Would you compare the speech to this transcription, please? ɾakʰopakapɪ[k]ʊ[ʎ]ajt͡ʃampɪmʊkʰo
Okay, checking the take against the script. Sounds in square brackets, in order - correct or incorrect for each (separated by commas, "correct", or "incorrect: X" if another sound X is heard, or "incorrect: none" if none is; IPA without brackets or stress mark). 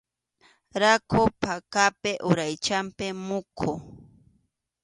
incorrect: ʔ, incorrect: ɾ